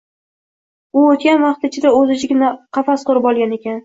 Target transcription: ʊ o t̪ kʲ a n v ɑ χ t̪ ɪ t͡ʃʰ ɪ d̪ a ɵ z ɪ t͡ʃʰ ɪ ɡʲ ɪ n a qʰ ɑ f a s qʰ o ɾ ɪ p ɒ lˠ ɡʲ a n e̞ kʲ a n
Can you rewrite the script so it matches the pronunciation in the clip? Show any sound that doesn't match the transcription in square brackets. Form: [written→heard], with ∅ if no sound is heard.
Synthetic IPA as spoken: ʊ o t̪ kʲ a n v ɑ χ t̪ ɪ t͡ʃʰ ɪ d̪ a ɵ z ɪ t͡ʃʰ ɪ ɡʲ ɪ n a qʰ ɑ f a s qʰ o ɾ ɪ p ɒ lˠ ɡʲ a n e̞ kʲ a n